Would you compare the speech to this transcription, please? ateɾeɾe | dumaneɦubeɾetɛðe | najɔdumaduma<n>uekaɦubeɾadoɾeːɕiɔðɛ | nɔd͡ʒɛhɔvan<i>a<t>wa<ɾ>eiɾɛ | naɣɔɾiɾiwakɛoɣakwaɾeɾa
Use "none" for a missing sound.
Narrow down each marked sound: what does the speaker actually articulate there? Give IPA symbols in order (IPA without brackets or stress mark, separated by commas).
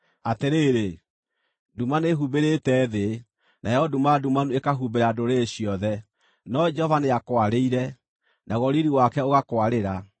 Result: n, e, k, ɾ